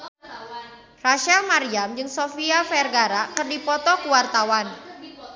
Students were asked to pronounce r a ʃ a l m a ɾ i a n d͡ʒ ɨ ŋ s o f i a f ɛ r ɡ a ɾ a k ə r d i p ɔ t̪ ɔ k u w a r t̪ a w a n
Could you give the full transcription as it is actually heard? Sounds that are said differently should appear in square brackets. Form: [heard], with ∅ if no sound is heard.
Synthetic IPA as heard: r a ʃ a l m a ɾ i a [m] d͡ʒ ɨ ŋ s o f i a f ɛ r ɡ a ɾ a k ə r d i p ɔ t̪ ɔ k u w a r t̪ a w a n